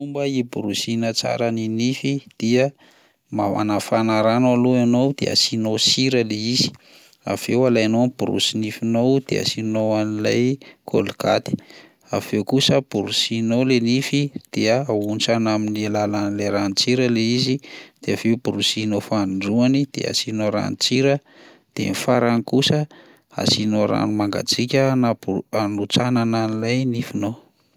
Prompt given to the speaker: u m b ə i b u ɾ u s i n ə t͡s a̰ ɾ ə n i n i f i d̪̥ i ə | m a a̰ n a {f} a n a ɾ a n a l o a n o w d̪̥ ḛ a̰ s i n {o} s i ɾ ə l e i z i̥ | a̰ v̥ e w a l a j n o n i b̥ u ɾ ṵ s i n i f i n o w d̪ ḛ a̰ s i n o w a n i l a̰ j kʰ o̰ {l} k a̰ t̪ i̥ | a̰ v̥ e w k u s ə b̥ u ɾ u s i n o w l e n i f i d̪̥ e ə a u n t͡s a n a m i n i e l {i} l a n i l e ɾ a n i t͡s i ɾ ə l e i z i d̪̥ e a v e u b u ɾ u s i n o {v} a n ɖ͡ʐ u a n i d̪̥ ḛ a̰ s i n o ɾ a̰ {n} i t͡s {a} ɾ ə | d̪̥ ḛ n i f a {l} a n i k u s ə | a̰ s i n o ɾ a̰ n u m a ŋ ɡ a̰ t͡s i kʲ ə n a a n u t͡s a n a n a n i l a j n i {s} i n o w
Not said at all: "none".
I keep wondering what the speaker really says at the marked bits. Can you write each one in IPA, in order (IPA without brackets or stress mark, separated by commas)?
f, o, l, a, f, n, i, ɾ, f